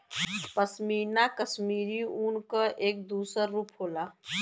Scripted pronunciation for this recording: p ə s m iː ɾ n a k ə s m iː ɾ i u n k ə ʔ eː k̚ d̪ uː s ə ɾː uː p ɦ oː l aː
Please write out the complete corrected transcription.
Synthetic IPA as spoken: p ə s m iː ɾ n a k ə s m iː ɾ i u n k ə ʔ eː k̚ d̪ uː s ə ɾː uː p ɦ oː l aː